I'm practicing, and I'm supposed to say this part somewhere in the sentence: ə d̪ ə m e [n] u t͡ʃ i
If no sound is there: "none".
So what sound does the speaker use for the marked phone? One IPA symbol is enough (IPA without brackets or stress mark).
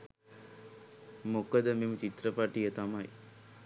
m